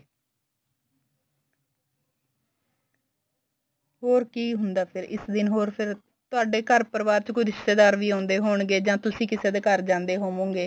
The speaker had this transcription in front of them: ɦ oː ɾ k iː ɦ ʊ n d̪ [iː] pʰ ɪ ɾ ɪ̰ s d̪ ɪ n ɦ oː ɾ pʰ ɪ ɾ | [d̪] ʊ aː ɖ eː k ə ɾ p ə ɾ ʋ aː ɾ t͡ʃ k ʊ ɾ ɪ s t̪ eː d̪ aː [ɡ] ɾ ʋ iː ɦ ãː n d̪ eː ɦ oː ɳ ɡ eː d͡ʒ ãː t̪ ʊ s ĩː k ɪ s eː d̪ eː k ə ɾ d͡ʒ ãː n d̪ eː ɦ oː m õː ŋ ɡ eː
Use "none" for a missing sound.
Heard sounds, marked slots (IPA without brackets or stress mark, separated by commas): aː, t̪, none